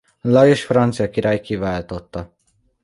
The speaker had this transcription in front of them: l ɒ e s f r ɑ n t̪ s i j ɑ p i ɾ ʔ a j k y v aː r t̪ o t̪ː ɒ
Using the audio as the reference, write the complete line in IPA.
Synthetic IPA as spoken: l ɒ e ʃ f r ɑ n t̪ s i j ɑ k i ɾ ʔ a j k i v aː l t̪ o t̪ː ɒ